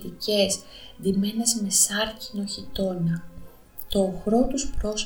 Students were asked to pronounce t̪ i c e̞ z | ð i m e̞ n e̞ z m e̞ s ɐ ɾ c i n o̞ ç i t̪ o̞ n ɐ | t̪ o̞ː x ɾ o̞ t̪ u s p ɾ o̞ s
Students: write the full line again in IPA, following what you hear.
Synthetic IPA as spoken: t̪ i c e̞ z | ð i m e̞ n e̞ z m e̞ s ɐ ɾ c i n o̞ ç i t̪ o̞ n ɐ | t̪ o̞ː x ɾ o̞ t̪ u s p ɾ o̞ s